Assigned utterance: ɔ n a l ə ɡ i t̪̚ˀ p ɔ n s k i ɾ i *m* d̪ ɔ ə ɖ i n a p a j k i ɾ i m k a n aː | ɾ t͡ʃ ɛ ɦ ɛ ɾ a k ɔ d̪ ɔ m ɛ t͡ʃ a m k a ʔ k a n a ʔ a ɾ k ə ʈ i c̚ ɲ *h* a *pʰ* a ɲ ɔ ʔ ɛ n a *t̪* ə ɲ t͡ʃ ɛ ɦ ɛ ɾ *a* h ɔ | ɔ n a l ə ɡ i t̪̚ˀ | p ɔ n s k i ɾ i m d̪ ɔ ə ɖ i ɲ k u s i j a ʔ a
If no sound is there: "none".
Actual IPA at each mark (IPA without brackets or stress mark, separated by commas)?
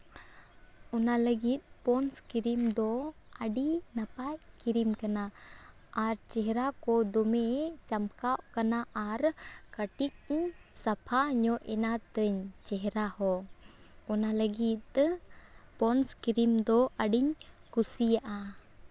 m, s, pʰ, t̪, a